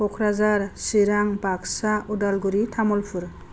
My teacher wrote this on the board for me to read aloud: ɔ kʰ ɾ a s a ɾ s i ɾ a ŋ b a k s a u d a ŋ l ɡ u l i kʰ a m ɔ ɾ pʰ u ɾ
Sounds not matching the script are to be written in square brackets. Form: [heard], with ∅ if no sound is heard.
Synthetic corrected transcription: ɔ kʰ ɾ a [z] a ɾ s i ɾ a ŋ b a k s a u d a [∅] l ɡ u [ɾ] i [tʰ] a m ɔ [l] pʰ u ɾ